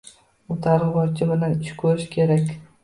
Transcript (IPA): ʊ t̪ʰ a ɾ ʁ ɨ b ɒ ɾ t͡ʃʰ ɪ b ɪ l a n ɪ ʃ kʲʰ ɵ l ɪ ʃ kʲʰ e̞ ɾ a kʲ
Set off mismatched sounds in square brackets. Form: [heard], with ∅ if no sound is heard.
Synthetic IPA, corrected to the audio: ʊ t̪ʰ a ɾ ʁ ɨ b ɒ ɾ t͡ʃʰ ɪ b ɪ l a n ɪ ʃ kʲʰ ɵ [ɾ] ɪ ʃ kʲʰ e̞ ɾ a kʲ